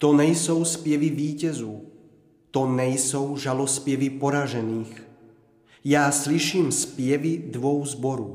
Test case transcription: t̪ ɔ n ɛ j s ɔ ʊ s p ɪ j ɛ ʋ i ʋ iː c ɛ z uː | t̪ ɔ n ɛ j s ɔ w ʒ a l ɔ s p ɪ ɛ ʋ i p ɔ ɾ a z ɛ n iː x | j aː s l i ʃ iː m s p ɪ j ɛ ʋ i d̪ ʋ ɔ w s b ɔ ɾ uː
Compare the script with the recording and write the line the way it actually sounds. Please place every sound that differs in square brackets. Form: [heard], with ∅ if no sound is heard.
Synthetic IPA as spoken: t̪ ɔ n ɛ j s ɔ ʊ s p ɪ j ɛ ʋ i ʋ iː c ɛ z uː | t̪ ɔ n ɛ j s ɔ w ʒ a l ɔ s p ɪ ɛ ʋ i p ɔ ɾ a [ʒ] ɛ n iː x | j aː s l i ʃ iː m s p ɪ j ɛ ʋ i d̪ ʋ ɔ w [z] b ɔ ɾ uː